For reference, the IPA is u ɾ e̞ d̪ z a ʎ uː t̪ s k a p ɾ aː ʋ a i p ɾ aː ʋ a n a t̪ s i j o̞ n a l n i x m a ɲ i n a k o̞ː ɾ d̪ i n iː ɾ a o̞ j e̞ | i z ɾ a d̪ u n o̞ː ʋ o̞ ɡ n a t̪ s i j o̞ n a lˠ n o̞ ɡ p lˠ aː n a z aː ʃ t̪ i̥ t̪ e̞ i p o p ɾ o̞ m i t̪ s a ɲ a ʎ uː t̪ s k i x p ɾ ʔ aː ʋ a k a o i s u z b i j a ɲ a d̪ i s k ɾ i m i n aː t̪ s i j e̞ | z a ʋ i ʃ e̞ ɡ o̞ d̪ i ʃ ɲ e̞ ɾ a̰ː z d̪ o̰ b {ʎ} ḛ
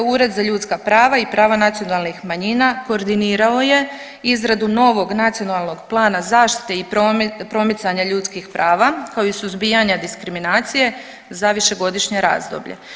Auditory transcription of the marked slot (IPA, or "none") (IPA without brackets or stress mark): ʎ